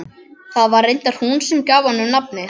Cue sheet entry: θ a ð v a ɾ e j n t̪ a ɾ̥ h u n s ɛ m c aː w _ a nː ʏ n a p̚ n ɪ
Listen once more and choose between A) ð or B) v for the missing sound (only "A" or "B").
B